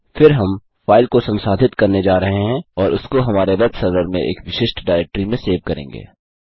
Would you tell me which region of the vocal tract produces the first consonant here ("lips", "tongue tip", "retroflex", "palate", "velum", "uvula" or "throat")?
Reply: lips